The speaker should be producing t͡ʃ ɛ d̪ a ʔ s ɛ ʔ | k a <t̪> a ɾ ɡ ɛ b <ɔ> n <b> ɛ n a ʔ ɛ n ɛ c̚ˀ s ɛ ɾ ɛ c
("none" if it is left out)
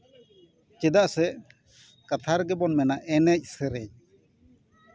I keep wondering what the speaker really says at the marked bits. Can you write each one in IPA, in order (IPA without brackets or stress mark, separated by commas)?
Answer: t̪ʰ, ɔ, m